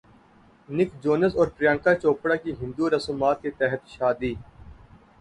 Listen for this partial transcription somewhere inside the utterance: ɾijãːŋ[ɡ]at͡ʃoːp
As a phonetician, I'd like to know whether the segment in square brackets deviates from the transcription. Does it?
yes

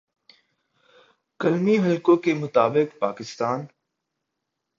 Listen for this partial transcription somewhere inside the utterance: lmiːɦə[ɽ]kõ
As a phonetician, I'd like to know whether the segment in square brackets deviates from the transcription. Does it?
yes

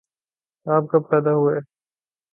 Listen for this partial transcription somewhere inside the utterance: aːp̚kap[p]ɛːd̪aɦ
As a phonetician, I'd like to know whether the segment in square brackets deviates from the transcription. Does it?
no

